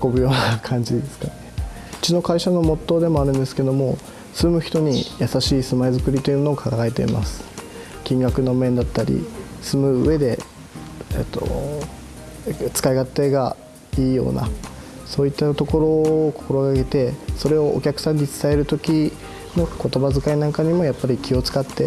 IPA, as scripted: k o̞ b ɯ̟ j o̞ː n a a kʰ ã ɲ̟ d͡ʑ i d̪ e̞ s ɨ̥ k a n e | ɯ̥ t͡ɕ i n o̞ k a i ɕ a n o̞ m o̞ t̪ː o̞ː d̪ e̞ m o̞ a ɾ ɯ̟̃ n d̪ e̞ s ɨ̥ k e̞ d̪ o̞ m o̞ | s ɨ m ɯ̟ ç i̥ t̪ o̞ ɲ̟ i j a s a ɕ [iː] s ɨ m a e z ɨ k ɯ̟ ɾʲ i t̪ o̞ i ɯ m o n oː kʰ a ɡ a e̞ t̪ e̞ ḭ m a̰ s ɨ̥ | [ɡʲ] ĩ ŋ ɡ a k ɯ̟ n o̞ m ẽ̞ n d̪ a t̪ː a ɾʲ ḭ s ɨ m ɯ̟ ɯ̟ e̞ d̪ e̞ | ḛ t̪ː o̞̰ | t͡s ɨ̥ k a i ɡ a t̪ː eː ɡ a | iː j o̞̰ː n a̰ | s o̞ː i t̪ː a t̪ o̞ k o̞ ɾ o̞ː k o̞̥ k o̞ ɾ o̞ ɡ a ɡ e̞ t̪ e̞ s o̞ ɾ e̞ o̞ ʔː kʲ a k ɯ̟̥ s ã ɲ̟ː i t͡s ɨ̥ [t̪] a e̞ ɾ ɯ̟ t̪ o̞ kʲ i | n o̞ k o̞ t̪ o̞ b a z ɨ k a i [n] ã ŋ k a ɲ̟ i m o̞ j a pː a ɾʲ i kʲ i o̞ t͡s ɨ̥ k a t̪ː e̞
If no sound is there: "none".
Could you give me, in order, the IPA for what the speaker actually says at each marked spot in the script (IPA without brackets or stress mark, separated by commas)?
iː, kʲ, t̪, n